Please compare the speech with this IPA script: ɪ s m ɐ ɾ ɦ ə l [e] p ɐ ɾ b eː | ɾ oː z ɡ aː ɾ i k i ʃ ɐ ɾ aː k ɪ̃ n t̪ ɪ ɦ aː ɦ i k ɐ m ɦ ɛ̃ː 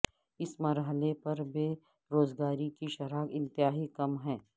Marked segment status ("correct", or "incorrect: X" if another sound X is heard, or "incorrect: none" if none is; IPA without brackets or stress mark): correct